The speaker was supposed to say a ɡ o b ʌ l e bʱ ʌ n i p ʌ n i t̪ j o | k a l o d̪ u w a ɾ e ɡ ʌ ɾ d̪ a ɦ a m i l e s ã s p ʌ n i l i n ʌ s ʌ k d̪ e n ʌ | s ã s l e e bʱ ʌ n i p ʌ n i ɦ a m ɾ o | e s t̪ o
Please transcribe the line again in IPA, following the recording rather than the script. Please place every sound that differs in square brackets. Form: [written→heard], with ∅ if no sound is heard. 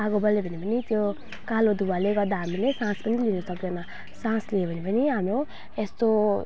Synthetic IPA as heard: a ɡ o b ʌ l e bʱ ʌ n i p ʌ n i t̪ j o | k a l o d̪ u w a [ɾ→l] e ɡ ʌ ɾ d̪ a ɦ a m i l e s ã s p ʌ n i l i n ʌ s ʌ k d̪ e n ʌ | s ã s l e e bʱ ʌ n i p ʌ n i ɦ a m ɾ o | e s t̪ o

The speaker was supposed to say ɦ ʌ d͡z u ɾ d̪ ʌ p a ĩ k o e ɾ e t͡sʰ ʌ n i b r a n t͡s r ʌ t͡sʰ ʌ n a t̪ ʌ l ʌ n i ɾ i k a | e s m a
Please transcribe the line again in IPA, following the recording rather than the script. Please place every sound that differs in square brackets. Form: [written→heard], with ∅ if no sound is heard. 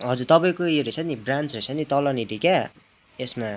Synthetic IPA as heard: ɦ ʌ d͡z u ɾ [d̪→t̪] ʌ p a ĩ k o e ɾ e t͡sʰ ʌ n i b r a n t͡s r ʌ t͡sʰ ʌ n [a→i] t̪ ʌ l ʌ n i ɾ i k a | e s m a

